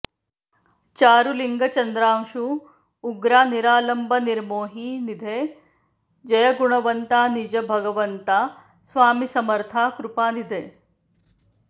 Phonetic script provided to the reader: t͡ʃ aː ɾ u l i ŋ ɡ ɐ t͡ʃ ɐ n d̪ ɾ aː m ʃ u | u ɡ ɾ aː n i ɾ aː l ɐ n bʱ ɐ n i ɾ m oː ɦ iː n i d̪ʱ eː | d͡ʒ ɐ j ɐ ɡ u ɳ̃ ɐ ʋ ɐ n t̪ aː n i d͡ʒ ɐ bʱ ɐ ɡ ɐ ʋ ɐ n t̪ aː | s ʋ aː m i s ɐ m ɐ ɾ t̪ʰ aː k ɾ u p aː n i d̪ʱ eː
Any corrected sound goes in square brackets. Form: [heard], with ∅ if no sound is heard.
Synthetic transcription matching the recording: t͡ʃ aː ɾ u l i ŋ ɡ ɐ t͡ʃ ɐ n d̪ ɾ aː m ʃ u | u ɡ ɾ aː n i ɾ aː l ɐ [m] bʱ ɐ n i ɾ m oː ɦ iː n i d̪ʱ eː | d͡ʒ ɐ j ɐ ɡ u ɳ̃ ɐ ʋ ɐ n t̪ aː n i d͡ʒ ɐ bʱ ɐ ɡ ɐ ʋ ɐ n t̪ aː | s ʋ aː m i s ɐ m ɐ ɾ t̪ʰ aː k ɾ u p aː n i d̪ʱ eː